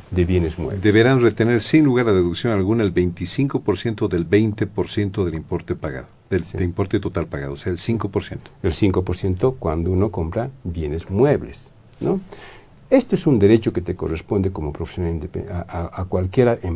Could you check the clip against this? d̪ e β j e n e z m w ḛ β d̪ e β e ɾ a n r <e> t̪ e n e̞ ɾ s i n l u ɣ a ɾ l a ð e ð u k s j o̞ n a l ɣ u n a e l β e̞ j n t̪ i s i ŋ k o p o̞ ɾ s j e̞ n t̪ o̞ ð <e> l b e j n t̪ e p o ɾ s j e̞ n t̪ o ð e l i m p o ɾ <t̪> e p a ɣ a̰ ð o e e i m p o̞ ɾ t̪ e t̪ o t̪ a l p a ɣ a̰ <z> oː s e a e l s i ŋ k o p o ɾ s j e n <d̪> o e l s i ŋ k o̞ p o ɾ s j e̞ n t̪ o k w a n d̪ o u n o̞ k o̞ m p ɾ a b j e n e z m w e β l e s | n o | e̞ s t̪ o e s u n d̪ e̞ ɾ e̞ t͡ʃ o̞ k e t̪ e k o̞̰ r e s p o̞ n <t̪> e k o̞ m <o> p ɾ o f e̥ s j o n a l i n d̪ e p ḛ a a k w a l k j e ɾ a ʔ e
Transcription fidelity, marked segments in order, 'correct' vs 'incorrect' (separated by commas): correct, correct, correct, incorrect, incorrect, incorrect, correct